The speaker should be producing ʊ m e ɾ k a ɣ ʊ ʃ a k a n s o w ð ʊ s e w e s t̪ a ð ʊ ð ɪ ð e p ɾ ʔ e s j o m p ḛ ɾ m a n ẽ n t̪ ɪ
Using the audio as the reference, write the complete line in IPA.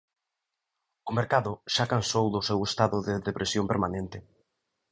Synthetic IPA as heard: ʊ m e ɾ k a ð ʊ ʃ a k a n s o w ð ʊ s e w e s t̪ a ð ʊ ð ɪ ð e p ɾ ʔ e s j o m p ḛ ɾ m a n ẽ n t̪ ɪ